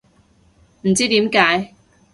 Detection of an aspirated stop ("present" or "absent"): absent